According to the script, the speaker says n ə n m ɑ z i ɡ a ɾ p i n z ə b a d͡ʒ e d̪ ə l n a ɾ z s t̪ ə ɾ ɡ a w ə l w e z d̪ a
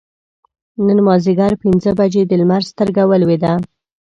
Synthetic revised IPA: n ə n m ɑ z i ɡ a ɾ p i n z ə b a d͡ʒ e d̪ ə l m a ɾ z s t̪ ə ɾ ɡ a w ə l w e d̪ a